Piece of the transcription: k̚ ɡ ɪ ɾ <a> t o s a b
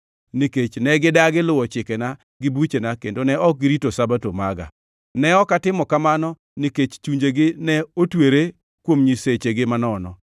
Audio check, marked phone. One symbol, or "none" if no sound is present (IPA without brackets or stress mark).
i